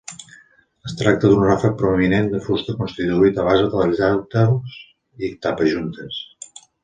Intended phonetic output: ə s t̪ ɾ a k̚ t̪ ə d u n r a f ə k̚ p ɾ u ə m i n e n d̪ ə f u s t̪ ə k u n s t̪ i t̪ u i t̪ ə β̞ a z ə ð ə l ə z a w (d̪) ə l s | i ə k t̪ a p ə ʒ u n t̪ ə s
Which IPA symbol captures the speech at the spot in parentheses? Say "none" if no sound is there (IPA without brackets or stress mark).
t̪